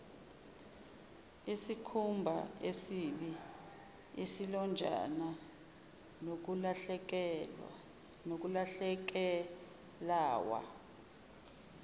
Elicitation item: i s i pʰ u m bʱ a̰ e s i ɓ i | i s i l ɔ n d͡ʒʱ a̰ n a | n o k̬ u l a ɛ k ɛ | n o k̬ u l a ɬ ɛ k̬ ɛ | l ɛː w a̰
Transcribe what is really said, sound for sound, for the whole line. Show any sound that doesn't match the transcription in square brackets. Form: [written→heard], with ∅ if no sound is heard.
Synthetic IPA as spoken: i s i [pʰ→kʰ] u m bʱ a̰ e s i ɓ i | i s i l ɔ n d͡ʒʱ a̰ n a | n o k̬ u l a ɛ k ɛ | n o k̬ u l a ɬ ɛ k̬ ɛ | l [ɛː→aː] w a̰